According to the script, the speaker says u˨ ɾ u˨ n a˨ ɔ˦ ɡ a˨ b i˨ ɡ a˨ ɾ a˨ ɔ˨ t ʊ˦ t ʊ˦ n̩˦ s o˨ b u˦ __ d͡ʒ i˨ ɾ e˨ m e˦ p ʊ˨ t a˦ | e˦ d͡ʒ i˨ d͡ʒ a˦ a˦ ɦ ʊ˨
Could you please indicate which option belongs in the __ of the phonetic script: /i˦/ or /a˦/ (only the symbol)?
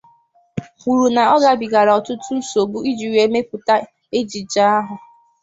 i˦